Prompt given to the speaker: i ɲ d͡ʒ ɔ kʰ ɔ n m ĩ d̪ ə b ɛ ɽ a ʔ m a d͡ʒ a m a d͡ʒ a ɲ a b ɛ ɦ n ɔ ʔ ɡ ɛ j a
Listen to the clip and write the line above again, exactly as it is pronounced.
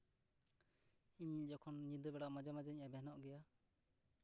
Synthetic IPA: i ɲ d͡ʒ ɔ kʰ ɔ n ɲ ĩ d̪ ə b ɛ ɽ a ʔ m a d͡ʒ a m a d͡ʒ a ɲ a b ɛ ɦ n ɔ ʔ ɡ ɛ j a